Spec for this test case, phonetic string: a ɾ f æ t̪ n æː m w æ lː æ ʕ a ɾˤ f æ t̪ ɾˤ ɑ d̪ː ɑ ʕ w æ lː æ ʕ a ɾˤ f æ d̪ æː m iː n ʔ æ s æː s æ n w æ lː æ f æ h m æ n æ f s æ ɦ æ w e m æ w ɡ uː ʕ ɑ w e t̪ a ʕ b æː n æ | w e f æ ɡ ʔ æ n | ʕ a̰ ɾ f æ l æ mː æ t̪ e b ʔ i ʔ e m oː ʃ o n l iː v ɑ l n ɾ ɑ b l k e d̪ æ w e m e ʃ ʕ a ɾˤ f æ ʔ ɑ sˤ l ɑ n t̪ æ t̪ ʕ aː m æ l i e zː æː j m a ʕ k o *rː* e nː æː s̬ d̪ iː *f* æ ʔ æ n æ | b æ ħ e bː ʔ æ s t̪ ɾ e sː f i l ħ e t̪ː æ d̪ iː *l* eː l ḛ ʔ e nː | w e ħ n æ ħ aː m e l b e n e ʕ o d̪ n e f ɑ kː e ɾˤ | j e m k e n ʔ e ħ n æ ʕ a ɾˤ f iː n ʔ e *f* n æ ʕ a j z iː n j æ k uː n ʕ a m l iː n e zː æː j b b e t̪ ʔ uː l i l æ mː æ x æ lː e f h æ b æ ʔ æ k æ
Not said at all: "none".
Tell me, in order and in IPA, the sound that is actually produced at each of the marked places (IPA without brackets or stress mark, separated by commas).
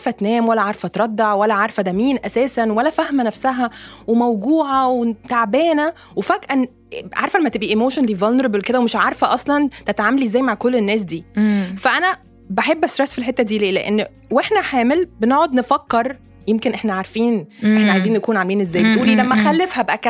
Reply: lː, f, l, ħ